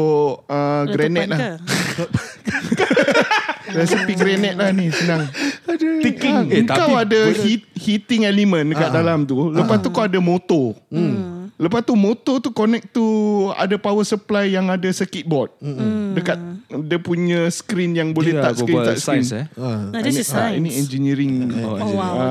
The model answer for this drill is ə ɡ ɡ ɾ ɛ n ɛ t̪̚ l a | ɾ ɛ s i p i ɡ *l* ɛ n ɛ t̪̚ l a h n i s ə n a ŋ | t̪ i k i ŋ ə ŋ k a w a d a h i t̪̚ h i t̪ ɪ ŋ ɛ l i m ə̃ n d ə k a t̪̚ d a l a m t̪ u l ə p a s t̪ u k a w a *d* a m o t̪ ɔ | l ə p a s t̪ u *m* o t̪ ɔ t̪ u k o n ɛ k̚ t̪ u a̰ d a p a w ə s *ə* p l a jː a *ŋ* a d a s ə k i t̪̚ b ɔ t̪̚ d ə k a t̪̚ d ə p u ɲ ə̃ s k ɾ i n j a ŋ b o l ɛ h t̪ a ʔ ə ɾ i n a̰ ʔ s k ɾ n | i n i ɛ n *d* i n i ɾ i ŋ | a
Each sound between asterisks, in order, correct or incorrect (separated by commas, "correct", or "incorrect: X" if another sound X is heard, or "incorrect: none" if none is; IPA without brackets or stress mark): incorrect: ɾ, correct, correct, correct, correct, incorrect: d͡ʒ